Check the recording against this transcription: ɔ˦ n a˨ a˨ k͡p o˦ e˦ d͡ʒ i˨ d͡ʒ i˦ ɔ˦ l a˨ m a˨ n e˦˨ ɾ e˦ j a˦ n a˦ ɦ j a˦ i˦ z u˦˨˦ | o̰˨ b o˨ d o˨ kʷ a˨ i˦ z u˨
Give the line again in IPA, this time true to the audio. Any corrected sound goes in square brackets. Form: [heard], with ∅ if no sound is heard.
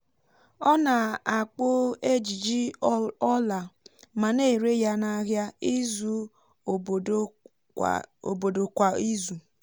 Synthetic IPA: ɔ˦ n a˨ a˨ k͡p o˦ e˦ d͡ʒ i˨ d͡ʒ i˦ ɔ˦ l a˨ m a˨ n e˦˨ ɾ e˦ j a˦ n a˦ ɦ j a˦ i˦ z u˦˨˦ | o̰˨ b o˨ d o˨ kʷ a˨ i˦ z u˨

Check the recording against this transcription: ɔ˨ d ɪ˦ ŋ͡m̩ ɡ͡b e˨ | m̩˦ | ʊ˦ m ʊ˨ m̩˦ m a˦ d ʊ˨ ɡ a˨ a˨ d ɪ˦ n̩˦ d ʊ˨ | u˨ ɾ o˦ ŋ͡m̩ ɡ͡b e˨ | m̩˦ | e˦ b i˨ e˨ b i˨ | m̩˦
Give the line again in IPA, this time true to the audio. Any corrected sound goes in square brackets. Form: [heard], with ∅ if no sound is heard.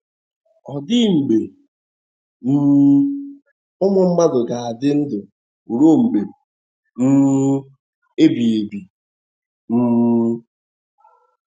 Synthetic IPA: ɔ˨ d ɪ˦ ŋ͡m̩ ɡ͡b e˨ | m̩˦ | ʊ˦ m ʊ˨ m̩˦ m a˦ d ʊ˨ ɡ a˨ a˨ d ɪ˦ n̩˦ d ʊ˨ | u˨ ɾ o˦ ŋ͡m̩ ɡ͡b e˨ | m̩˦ | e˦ b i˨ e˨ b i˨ | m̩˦

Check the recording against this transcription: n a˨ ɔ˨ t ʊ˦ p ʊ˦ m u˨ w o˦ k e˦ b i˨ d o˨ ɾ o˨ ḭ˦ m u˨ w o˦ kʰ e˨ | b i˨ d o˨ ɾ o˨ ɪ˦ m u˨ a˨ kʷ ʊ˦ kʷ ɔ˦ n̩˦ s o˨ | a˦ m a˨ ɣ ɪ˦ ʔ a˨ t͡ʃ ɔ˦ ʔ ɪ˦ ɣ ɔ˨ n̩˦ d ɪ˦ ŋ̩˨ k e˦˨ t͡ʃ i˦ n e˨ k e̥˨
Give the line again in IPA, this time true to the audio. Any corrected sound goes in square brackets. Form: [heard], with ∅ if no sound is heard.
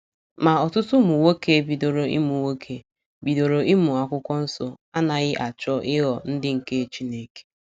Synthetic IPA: [m] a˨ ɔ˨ t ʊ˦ [t] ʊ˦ m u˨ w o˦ k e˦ b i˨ d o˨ ɾ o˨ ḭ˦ m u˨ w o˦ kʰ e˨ | b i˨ d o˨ ɾ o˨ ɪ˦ m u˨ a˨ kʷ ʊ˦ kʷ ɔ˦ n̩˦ s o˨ | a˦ [n] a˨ ɣ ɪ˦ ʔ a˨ t͡ʃ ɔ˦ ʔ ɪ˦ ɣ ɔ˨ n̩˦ d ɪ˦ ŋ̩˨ k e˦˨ t͡ʃ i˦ n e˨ k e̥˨

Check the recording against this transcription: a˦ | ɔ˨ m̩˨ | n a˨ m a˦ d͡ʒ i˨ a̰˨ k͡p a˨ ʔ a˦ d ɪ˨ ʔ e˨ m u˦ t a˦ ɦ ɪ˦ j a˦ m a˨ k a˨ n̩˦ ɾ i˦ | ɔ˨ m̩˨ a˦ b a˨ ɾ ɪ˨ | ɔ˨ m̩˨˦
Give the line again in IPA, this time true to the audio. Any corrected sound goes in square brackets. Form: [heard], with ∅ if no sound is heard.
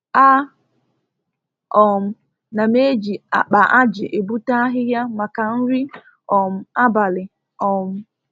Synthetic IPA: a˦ | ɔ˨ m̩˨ | n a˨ m [e˦] d͡ʒ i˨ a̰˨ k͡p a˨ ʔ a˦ [d͡ʒ] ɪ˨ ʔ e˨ [b] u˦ t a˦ ɦ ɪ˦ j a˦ m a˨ k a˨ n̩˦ ɾ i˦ | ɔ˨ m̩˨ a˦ b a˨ [l] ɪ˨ | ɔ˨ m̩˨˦

